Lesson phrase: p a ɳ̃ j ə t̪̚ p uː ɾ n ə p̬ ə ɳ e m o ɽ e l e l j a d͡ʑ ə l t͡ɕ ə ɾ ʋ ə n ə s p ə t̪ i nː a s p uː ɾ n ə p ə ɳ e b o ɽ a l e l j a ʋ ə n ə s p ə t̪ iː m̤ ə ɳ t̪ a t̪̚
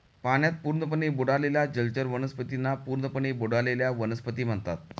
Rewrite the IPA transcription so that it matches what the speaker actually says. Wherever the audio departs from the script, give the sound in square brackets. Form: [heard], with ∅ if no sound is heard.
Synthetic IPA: p a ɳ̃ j [a] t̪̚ p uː ɾ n ə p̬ ə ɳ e [b] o ɽ [a] l e l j a d͡ʑ ə l t͡ɕ ə ɾ ʋ ə n ə s p ə t̪ i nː a [∅] p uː ɾ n ə p ə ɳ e b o ɽ a l e l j a ʋ ə n ə s p ə t̪ iː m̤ ə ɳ t̪ a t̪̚